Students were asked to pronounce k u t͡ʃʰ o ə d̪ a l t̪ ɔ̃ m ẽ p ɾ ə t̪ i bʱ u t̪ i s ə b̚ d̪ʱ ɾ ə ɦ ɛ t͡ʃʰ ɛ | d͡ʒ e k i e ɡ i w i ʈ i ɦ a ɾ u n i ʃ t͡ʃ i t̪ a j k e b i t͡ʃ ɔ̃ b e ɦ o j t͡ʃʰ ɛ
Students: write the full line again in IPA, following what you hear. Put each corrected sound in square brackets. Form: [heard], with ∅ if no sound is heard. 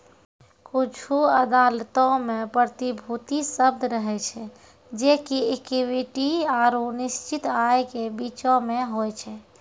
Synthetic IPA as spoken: k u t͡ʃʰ [u] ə d̪ a l t̪ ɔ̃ m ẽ p ɾ ə t̪ i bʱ u t̪ i s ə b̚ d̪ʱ ɾ ə ɦ ɛ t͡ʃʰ ɛ | d͡ʒ e k i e [k] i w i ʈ i [∅] a ɾ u n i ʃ t͡ʃ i t̪ a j k e b i t͡ʃ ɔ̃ [m] e ɦ o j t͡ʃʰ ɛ